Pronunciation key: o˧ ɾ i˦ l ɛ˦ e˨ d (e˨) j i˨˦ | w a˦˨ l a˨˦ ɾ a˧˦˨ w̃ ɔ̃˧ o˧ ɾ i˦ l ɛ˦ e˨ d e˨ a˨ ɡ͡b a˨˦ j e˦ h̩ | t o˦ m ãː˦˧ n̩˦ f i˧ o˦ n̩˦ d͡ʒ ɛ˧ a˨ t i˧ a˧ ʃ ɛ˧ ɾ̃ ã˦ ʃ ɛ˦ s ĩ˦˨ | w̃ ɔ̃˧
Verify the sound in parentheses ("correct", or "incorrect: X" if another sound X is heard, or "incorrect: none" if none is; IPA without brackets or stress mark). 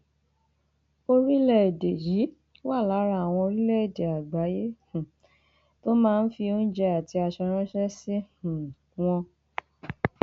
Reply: correct